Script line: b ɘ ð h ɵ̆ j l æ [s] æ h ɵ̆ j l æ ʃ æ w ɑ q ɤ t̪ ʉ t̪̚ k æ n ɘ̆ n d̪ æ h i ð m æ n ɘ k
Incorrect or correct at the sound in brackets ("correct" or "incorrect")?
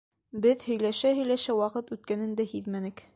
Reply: incorrect